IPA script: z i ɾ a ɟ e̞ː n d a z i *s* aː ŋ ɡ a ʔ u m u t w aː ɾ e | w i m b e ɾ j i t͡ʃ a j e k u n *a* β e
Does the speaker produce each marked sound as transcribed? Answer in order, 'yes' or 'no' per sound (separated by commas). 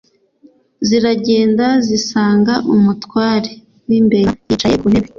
yes, no